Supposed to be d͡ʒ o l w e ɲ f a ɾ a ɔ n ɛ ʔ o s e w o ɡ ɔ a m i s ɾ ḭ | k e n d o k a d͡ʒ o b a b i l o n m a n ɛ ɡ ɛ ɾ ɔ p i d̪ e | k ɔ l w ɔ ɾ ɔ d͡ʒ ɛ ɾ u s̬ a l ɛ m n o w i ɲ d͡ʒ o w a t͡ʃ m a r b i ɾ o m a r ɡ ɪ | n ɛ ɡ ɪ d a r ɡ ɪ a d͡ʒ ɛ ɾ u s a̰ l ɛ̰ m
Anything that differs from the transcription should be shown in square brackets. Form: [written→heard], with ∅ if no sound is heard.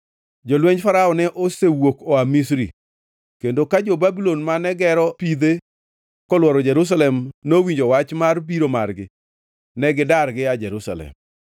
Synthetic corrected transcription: d͡ʒ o l w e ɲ f a ɾ a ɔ n ɛ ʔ o s e w o [ɡ→k] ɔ a m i s ɾ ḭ | k e n d o k a d͡ʒ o b a b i l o n m a n ɛ ɡ ɛ ɾ ɔ p i d̪ e | k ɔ l w ɔ ɾ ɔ d͡ʒ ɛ ɾ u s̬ a l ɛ m n o w i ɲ d͡ʒ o w a t͡ʃ m a r b i ɾ o m a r ɡ ɪ | n ɛ ɡ ɪ d a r ɡ ɪ a d͡ʒ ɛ ɾ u s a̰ l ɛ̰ m